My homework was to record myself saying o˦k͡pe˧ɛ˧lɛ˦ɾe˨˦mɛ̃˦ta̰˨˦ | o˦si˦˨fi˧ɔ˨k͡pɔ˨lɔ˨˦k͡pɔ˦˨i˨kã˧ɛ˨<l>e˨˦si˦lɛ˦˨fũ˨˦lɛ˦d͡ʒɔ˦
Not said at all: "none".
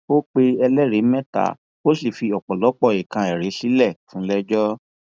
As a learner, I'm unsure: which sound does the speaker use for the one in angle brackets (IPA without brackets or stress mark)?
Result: ɾ